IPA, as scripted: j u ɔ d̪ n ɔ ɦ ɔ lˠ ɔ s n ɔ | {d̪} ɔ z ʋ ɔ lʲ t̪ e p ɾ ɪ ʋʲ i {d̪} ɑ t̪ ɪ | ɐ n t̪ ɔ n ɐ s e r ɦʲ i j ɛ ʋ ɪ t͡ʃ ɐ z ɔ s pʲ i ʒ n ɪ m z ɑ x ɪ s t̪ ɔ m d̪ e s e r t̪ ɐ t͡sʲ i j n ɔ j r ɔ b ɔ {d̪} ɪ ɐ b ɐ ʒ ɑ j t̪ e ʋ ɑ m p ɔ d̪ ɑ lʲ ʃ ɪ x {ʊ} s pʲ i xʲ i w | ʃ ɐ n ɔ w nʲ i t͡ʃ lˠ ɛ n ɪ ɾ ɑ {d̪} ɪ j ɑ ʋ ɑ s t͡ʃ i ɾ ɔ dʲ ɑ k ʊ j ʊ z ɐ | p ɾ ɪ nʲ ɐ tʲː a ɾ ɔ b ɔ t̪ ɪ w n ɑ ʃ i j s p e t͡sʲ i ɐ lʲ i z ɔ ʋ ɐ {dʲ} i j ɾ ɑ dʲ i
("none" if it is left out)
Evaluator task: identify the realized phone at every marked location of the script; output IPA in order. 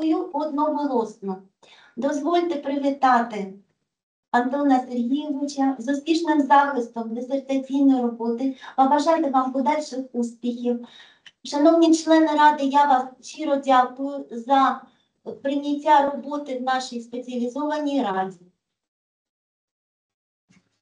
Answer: d̪, t̪, t̪, u, d̪, nʲ

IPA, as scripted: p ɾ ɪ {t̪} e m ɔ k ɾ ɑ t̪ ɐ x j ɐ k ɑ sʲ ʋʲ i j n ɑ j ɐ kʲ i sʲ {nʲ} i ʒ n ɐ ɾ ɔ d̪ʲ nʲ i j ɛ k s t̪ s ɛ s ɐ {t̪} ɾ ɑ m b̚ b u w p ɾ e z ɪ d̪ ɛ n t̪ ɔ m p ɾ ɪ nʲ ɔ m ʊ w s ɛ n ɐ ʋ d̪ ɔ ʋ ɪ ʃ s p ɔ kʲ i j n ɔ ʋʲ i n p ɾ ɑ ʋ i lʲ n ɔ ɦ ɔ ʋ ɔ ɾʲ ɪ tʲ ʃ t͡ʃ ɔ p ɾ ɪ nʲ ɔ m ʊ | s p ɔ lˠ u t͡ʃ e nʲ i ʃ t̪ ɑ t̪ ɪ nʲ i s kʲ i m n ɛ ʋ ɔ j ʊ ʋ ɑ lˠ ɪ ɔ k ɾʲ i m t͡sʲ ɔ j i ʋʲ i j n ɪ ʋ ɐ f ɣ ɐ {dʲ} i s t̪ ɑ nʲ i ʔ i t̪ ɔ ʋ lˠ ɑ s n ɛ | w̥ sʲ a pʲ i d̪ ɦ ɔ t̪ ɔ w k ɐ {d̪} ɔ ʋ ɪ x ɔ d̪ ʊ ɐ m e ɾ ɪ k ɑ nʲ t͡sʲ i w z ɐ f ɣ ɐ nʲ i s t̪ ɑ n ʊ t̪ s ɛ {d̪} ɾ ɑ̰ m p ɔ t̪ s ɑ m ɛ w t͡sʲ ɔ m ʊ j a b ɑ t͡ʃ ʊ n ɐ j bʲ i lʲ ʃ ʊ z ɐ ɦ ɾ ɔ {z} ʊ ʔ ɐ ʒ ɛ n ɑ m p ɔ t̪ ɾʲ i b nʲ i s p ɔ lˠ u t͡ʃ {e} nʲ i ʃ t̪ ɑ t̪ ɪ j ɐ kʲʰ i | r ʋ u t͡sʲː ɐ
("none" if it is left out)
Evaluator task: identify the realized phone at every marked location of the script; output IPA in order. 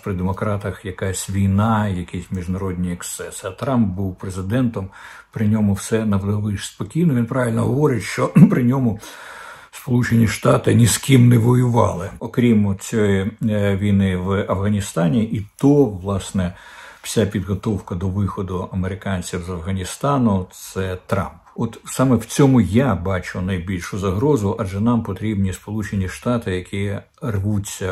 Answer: d̪, mʲ, t̪, nʲ, d̪, t̪, z, e

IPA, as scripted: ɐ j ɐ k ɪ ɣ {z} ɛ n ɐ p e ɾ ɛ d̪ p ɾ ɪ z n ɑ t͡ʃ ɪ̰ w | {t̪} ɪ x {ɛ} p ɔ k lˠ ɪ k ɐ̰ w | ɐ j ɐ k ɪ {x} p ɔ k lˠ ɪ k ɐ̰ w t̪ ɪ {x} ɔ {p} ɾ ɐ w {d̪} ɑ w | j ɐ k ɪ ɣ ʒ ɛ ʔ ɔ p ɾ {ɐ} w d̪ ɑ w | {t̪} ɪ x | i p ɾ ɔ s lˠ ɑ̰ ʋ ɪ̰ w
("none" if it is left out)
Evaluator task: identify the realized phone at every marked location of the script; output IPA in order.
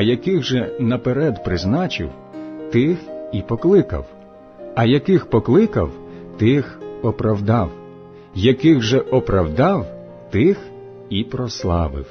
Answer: ʒ, t̪, i, x, x, p, d̪, ɐ, t̪

